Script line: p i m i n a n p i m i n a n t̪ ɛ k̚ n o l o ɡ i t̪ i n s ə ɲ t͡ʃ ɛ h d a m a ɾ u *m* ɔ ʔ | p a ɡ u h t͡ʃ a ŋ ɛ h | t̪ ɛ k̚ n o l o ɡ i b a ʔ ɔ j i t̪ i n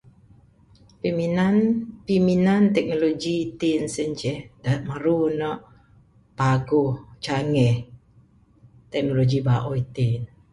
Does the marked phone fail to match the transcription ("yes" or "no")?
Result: yes